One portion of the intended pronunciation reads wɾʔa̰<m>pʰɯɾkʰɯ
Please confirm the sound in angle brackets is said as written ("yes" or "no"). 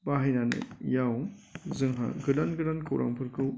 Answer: no